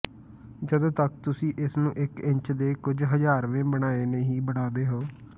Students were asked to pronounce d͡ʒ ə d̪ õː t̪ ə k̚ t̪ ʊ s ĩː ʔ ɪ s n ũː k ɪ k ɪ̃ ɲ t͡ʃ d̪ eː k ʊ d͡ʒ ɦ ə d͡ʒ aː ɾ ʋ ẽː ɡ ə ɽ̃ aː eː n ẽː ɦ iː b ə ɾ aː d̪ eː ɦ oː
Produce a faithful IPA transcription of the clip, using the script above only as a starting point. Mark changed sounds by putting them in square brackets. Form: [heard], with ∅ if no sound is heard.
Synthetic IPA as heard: d͡ʒ ə d̪ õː t̪ ə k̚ t̪ ʊ s ĩː ʔ ɪ s n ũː [ʔ] ɪ k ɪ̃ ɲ t͡ʃ d̪ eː k ʊ d͡ʒ ɦ ə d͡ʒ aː ɾ ʋ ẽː [b] ə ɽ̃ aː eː n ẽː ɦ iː b ə [ɽ] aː d̪ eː ɦ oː